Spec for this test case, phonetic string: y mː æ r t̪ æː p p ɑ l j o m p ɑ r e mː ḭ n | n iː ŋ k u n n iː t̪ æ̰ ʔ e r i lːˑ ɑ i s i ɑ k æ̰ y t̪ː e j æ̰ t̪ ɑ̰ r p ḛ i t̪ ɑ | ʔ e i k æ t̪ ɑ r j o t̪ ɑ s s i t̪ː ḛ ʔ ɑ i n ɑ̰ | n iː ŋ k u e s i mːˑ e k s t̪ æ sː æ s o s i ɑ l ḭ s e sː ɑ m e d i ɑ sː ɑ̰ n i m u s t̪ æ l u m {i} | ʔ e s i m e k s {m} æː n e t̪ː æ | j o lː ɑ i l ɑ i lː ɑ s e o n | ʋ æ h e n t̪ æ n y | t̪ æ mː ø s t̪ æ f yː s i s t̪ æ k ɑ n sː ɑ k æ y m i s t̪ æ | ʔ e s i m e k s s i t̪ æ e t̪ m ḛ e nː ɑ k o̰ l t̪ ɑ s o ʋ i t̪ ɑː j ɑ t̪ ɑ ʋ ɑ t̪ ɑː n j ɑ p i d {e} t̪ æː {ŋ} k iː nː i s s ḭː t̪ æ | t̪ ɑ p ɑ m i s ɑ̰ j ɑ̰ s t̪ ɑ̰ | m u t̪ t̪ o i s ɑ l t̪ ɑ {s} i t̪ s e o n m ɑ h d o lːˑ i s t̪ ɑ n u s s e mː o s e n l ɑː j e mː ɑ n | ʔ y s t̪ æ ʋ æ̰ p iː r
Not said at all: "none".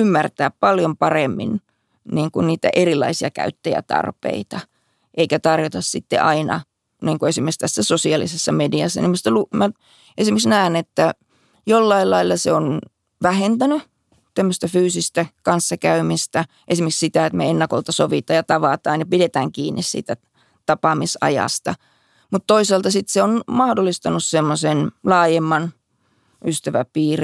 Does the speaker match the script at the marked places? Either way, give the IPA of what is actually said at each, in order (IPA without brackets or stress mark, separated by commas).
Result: æ, n, e, ŋ, s